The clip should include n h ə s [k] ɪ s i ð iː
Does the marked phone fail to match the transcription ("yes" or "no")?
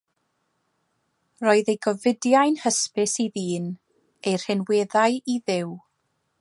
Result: yes